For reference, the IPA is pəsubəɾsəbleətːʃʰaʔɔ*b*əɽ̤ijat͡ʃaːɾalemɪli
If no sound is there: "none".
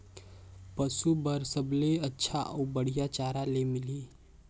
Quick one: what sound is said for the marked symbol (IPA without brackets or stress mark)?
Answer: b